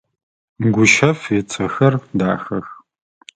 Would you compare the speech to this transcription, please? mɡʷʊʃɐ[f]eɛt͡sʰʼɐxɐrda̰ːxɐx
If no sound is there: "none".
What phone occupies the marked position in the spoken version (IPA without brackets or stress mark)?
f